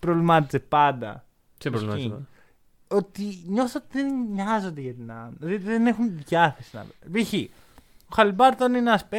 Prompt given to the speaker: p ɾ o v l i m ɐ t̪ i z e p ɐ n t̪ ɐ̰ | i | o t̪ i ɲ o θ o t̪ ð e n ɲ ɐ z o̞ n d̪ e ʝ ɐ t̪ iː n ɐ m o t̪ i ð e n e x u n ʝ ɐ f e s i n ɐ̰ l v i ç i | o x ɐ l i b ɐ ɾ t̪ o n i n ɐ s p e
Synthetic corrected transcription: p ɾ o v l i m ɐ t̪ i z e p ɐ n d̪ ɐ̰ | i | o t̪ i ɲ o θ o t̪ ð e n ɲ ɐ z o̞ n d̪ e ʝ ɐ t̪ i n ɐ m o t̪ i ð e n e x u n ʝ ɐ θ e s i n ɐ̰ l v i ç i | o x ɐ l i b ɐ ɾ t̪ o n i n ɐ s p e